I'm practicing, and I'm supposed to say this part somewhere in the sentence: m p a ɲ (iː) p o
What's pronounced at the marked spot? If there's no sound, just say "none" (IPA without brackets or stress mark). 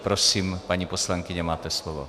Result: i